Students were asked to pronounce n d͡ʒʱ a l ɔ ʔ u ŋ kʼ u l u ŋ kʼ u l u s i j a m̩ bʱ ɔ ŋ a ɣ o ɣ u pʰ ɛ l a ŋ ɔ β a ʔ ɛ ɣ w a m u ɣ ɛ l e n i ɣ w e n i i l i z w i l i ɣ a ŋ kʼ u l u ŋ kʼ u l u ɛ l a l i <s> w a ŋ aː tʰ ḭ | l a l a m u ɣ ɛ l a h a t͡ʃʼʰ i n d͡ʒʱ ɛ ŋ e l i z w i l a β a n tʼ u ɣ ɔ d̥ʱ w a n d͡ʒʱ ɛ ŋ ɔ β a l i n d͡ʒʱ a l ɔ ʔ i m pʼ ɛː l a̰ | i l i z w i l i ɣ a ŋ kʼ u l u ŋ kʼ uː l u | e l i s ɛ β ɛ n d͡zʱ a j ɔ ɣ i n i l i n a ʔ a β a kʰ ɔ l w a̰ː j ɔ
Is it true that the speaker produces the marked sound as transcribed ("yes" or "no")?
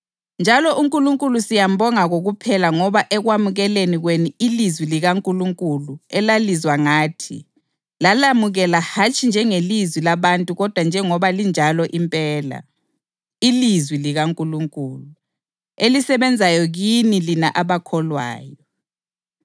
no